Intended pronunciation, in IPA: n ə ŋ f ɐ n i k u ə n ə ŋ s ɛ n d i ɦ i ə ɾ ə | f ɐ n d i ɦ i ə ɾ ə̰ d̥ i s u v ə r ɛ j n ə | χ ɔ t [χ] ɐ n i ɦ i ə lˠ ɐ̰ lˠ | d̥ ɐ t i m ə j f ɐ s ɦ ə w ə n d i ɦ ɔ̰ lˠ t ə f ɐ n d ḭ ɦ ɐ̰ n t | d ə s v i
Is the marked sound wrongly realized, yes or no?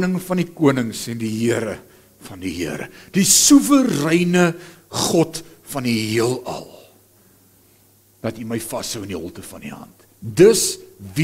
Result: yes